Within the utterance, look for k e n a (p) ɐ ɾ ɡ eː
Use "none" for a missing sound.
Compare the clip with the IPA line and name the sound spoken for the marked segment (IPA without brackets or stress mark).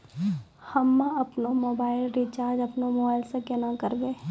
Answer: k